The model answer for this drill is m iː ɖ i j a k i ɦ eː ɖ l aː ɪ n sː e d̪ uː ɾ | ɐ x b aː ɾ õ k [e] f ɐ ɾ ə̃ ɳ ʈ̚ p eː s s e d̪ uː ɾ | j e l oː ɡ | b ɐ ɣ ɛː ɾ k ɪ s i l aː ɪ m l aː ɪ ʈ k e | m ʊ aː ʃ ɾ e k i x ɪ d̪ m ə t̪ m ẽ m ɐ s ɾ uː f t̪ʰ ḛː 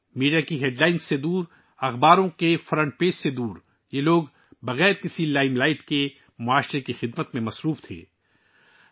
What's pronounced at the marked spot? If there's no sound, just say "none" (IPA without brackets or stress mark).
e